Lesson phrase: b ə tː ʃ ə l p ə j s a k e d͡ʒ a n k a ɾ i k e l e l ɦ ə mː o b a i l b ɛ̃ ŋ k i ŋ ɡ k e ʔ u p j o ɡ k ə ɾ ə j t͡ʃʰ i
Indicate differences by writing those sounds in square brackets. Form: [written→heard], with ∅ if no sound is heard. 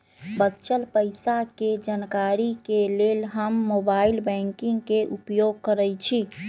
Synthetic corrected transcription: b ə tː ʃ ə l p ə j s a k e d͡ʒ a n k a ɾ i k e l e l ɦ ə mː o b a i l b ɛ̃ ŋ k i ŋ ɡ k e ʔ u p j o ɡ k ə ɾ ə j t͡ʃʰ i